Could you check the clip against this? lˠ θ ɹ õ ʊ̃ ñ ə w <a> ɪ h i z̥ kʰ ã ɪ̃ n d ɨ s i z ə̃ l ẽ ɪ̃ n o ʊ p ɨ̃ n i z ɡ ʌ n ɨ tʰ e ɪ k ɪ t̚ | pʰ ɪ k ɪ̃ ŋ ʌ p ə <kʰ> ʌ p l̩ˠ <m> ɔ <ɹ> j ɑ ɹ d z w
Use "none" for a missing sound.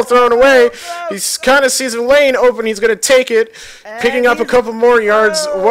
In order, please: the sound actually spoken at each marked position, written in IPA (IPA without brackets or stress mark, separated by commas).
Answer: e, kʰ, m, ɹ